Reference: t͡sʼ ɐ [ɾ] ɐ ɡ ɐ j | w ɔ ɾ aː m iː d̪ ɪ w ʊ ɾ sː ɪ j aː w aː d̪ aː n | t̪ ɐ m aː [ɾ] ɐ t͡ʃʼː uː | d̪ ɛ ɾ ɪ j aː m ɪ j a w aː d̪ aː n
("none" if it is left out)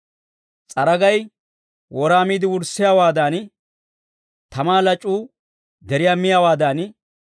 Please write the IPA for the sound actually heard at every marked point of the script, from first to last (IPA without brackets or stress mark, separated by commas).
ɾ, l